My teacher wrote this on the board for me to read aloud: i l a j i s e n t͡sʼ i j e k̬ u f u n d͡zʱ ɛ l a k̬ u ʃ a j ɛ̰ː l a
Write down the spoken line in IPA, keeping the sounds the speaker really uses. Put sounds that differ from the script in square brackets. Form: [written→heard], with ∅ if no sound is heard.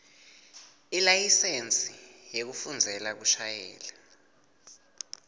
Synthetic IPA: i l a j i s e n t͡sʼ i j e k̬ u f u n d͡zʱ ɛ l a k̬ u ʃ a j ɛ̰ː l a